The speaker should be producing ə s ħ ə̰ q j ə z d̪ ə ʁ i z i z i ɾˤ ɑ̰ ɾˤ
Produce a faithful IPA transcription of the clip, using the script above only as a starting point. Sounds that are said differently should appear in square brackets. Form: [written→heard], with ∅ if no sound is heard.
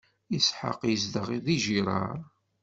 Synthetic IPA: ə s ħ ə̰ q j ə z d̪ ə ʁ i [z→ð] i [z→ʒ] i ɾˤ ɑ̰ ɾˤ